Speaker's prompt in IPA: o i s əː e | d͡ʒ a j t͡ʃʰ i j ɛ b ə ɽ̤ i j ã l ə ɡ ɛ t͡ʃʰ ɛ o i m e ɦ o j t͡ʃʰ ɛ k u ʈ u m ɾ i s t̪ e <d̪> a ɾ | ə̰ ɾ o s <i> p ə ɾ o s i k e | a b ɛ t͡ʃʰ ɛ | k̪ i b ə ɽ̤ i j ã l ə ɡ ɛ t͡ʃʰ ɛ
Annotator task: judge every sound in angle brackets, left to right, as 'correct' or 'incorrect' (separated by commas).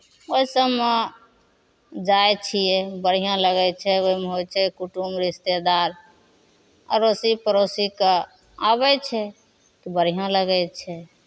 correct, correct